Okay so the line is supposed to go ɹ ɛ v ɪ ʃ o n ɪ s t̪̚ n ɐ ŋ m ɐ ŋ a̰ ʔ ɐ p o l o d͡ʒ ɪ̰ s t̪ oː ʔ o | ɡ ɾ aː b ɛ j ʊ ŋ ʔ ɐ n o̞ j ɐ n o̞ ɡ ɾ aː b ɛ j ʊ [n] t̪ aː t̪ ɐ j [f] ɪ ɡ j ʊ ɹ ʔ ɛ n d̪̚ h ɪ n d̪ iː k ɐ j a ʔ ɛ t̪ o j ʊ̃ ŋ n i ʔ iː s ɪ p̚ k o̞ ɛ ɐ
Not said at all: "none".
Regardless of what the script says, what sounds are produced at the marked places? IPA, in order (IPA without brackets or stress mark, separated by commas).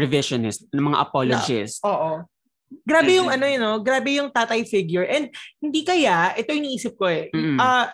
ŋ, f